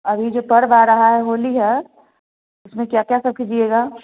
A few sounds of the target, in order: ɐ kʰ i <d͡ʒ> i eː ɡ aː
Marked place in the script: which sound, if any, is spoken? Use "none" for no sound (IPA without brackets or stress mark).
d͡ʒ